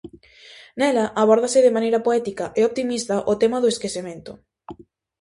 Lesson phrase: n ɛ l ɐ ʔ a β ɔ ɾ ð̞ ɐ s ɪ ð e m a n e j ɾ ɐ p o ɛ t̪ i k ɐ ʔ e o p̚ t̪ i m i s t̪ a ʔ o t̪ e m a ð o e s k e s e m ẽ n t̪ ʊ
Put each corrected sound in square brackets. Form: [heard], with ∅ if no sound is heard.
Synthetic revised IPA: n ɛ l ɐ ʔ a β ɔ ɾ ð̞ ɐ s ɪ ð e m a n e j ɾ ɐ p o ɛ t̪ i k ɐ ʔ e o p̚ t̪ i m i s t̪ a ʔ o t̪ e m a ð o e s k e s e m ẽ n t̪ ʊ